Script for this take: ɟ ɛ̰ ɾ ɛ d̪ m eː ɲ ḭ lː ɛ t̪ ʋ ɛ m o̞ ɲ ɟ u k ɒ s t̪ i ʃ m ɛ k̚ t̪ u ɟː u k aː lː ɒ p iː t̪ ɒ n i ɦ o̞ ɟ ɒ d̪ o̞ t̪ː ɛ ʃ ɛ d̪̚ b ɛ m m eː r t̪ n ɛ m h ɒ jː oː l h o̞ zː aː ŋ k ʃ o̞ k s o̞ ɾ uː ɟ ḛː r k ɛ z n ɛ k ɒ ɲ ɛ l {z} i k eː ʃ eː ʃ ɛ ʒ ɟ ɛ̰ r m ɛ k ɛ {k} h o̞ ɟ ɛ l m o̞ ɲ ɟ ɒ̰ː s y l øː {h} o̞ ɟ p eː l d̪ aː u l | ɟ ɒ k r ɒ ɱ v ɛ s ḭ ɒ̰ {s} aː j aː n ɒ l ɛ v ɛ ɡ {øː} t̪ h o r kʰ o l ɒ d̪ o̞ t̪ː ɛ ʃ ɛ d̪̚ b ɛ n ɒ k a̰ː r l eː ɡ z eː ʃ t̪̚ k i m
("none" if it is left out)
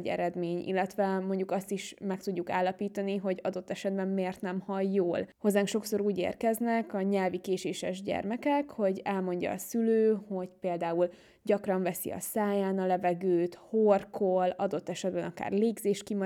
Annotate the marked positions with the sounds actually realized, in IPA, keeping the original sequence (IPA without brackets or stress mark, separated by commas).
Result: v, k, h, s, øː